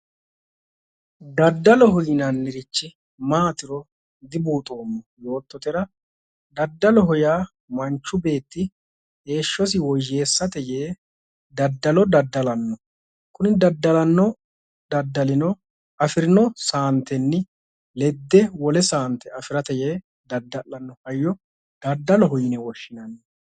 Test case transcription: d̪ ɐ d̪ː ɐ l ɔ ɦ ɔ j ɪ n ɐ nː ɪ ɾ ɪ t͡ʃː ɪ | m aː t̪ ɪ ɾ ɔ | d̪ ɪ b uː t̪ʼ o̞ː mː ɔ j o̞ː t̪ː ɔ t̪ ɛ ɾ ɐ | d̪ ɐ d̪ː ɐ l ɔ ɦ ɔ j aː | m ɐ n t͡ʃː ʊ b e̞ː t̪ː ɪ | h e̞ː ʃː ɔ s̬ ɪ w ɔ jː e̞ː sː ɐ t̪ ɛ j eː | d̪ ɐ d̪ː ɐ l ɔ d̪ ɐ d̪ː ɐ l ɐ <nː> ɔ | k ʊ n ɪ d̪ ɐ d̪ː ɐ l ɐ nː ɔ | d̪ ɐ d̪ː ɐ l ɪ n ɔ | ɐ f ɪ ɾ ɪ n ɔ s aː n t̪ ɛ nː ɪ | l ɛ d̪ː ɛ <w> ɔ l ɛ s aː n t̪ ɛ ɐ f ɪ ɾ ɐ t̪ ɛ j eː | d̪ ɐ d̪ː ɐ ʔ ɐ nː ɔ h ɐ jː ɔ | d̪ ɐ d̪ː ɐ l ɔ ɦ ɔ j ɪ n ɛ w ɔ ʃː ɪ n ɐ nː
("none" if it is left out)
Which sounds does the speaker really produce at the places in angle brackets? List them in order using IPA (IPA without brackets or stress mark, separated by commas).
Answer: nː, w